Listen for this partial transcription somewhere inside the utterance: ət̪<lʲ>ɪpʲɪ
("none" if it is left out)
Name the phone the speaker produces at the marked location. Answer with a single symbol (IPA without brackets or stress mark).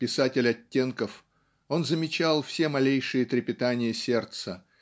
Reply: ɾʲ